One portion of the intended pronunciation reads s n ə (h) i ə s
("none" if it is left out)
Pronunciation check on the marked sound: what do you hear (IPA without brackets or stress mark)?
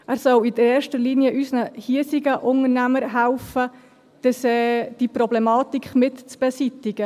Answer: h